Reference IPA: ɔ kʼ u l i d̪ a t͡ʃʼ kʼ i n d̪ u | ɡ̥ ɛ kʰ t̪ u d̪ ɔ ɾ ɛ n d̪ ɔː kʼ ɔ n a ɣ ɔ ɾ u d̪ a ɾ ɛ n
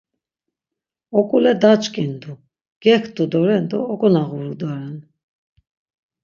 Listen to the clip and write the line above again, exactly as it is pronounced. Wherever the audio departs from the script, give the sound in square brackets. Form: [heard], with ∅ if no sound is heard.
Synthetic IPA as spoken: ɔ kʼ u l [ɛ] d̪ a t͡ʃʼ kʼ i n d̪ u | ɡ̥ ɛ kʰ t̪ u d̪ ɔ ɾ ɛ n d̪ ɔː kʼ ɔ n a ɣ [u] ɾ u d̪ a ɾ ɛ n